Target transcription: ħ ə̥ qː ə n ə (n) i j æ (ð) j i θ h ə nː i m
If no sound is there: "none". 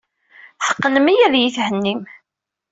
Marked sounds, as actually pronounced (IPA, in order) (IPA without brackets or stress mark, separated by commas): m, ð